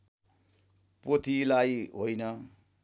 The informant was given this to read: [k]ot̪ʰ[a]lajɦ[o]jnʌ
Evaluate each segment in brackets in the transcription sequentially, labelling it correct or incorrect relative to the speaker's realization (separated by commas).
incorrect, incorrect, correct